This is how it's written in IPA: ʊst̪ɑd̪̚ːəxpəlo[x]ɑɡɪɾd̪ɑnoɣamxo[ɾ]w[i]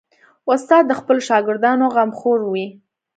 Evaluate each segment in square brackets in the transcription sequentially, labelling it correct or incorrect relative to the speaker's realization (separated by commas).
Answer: incorrect, correct, correct